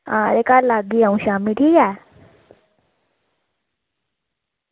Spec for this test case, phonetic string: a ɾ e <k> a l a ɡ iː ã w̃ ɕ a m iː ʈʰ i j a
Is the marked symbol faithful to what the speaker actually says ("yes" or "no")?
yes